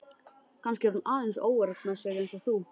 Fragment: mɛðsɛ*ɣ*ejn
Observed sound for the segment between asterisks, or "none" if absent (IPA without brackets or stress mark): ɣ